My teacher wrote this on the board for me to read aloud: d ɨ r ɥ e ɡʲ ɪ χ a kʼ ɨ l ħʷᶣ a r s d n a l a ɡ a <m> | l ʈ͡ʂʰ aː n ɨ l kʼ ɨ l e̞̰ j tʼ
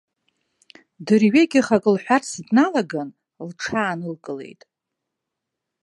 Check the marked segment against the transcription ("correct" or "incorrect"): incorrect